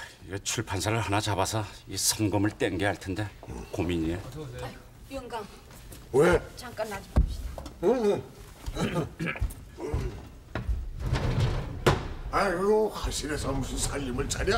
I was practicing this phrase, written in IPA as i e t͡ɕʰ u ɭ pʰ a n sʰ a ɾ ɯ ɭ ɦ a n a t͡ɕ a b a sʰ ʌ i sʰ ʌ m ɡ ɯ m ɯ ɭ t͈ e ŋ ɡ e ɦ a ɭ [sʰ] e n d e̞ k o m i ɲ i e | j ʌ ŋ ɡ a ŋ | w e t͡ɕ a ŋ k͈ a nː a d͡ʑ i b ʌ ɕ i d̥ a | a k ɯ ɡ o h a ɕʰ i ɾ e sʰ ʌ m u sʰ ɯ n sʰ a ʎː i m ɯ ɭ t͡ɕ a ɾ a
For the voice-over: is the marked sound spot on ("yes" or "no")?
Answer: no